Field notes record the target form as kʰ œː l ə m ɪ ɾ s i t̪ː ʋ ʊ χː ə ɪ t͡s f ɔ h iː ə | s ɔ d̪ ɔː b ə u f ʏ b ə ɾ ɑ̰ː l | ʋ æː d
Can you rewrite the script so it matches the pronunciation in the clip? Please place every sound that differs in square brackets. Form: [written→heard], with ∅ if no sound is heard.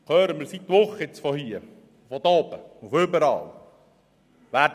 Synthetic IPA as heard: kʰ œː [l→ɾ] ə m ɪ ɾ s i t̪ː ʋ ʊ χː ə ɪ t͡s f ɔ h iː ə | [s→f] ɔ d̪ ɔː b ə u f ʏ b ə ɾ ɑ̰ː l | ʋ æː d